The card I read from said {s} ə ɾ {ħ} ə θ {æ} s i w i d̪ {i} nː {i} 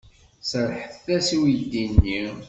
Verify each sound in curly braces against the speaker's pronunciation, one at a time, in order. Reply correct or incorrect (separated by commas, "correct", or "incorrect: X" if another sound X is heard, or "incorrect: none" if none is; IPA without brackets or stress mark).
correct, correct, correct, correct, correct